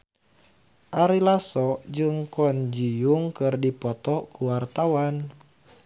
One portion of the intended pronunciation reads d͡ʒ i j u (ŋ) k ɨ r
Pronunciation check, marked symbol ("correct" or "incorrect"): correct